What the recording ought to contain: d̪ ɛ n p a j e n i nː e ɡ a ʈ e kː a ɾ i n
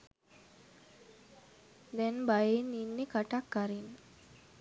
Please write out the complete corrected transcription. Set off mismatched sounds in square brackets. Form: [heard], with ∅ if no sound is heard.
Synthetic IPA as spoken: d̪ ɛ n [b] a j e n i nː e [k] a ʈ [a] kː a ɾ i n